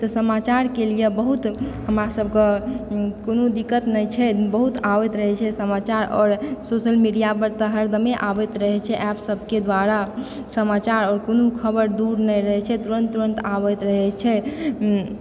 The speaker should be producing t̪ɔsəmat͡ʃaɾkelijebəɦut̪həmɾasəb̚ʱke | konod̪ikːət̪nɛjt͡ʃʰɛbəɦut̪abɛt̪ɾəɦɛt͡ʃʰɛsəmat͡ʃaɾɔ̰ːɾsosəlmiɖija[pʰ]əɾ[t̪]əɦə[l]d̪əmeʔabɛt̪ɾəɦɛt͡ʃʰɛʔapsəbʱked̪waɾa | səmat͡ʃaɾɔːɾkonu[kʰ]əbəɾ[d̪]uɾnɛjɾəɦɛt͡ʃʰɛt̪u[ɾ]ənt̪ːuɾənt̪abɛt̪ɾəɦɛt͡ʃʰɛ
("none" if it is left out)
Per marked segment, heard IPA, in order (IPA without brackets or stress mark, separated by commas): p, t̪, ɾ, kʰ, d̪, ɾ